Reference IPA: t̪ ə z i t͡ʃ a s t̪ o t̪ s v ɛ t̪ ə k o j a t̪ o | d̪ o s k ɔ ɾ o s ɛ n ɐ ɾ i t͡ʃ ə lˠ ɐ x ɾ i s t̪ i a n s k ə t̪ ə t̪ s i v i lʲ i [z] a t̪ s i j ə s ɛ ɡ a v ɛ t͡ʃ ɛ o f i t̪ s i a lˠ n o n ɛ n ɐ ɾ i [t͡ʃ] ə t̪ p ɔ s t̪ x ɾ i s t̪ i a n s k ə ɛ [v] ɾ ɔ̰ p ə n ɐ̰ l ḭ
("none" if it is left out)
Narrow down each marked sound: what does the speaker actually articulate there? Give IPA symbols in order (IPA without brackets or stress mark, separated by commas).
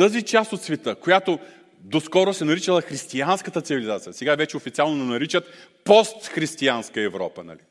z, t͡ʃ, v